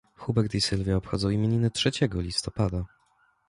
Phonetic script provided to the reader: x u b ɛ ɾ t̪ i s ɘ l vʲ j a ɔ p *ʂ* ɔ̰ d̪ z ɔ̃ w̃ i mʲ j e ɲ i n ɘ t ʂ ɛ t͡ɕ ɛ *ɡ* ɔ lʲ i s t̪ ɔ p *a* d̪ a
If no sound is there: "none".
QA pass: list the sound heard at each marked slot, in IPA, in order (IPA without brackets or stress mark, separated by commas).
x, ɡ, a